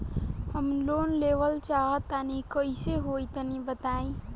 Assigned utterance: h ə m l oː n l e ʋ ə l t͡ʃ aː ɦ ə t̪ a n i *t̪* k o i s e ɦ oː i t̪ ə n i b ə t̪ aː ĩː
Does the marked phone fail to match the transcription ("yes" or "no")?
yes